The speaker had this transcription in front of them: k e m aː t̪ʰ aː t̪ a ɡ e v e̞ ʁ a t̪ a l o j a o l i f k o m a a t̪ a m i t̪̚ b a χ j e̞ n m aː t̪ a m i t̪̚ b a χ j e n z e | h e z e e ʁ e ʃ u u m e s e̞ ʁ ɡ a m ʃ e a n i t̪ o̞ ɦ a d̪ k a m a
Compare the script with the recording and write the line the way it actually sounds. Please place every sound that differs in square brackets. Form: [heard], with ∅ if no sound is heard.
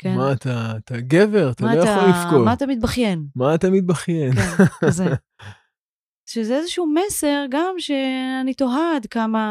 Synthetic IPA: k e m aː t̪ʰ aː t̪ a ɡ e v e̞ ʁ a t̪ a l o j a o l i f k o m a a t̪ a m i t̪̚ b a χ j e̞ n m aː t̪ a m i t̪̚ b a χ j e n z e | [ʃ] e z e e [z] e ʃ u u m e s e̞ ʁ ɡ a m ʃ e a n i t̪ o̞ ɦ a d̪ k a m a